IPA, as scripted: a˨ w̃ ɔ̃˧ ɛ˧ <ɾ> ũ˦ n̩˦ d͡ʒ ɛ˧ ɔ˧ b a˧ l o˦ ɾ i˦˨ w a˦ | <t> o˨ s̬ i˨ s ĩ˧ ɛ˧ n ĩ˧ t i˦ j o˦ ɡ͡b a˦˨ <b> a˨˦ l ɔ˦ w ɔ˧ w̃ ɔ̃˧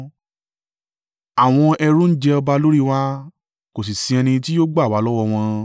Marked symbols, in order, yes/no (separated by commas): yes, no, no